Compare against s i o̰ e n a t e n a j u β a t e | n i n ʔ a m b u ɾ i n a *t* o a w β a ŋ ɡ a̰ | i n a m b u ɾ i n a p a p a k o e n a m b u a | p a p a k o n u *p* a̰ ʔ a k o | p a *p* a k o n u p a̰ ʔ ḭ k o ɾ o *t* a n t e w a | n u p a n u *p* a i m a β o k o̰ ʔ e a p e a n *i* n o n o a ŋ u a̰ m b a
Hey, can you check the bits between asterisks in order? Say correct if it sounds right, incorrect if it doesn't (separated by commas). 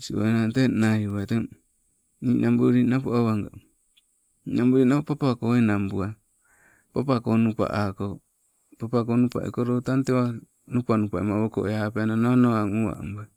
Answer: incorrect, correct, correct, correct, correct, incorrect